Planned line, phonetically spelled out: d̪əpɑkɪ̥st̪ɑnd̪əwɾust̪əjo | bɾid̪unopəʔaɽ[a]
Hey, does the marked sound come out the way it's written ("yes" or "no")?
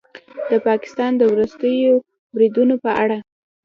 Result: yes